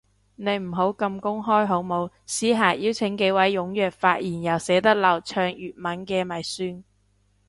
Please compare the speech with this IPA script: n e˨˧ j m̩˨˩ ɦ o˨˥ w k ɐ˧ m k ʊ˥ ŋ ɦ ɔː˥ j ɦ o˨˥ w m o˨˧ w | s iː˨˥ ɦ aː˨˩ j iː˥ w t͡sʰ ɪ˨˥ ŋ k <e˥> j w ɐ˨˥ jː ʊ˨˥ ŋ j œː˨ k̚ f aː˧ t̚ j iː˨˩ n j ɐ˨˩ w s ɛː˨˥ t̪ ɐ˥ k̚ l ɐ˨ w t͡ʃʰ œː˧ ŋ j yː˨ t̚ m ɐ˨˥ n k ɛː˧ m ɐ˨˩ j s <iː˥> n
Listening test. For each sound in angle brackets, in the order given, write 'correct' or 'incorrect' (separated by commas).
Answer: incorrect, incorrect